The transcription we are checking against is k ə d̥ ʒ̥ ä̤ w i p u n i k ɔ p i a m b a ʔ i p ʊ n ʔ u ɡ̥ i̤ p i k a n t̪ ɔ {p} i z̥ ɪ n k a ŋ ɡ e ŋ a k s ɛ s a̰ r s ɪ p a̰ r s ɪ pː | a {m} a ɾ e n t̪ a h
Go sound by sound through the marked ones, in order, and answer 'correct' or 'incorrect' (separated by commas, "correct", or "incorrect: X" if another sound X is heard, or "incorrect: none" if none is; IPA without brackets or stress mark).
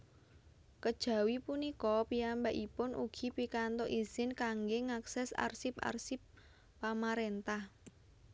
incorrect: ʔ, correct